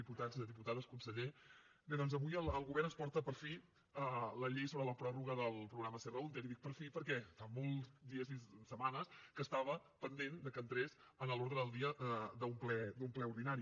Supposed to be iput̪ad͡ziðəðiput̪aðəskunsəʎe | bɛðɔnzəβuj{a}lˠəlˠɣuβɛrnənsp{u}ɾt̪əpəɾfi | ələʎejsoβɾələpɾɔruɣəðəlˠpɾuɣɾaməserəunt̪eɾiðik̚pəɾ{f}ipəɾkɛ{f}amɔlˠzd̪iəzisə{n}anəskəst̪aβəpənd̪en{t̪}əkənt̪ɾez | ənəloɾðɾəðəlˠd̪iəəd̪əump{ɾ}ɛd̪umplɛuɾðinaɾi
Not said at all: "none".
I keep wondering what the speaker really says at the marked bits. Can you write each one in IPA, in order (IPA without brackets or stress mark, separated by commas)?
ə, ɔ, f, f, m, d̪, l